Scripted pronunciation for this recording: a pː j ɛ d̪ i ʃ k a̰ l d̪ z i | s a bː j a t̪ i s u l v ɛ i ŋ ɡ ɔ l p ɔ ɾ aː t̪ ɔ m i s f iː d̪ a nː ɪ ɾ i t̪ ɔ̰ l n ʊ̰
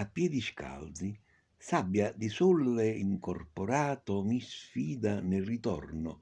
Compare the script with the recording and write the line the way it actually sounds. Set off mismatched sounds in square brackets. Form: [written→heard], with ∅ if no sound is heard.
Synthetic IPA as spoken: a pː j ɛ d̪ i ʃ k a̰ l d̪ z i | s a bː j a [t̪→d̪] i s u l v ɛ i ŋ [ɡ→k] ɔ [l→r] p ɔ ɾ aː t̪ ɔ m i s f iː d̪ a [nː→n] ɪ [ɾ→r] i t̪ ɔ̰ [l→r] n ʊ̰